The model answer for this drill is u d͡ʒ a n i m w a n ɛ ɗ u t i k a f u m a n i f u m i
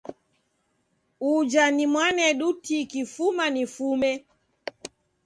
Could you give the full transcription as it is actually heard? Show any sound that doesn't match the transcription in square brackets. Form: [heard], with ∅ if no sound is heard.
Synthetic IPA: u d͡ʒ a n i m w a n ɛ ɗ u t i k [i] f u m a n i f u m [ɛ]